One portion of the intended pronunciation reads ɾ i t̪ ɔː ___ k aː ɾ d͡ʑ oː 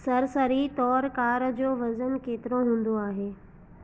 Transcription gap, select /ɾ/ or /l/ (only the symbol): ɾ